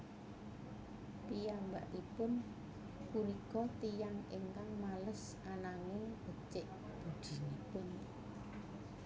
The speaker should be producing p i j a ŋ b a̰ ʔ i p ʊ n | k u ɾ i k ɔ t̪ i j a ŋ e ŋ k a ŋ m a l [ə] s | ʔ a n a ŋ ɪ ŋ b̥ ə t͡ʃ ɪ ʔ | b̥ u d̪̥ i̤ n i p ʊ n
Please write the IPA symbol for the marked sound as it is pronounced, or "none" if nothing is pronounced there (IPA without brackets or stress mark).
ə